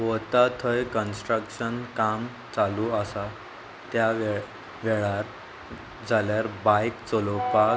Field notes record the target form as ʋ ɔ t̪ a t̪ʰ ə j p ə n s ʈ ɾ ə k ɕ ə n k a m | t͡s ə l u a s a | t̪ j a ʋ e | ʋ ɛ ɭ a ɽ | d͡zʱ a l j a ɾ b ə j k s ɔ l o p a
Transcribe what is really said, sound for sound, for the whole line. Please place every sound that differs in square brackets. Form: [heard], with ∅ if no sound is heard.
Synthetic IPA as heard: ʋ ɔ t̪ a t̪ʰ ə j [k] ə n s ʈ ɾ ə k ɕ ə n k a m | t͡s [a] l u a s a | t̪ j a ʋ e | ʋ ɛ ɭ a [ɾ] | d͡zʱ a l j a ɾ b [a] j k [t͡s] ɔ l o p a